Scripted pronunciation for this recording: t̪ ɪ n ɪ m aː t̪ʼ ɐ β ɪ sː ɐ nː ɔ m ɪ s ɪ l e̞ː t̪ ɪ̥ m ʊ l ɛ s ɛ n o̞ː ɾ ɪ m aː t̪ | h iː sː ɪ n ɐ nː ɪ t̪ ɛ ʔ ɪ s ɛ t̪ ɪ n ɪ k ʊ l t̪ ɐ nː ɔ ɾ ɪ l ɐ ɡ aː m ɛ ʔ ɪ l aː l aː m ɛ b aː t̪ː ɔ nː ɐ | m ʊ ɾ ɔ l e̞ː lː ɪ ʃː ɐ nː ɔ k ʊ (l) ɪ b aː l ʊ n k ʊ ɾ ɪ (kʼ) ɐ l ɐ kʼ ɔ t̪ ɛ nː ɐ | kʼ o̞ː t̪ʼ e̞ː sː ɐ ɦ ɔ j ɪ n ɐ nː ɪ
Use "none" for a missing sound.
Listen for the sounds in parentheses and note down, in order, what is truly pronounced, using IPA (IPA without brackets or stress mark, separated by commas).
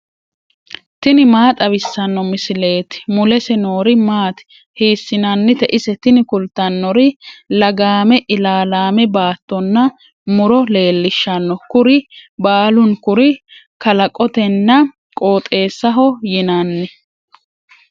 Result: ɾ, k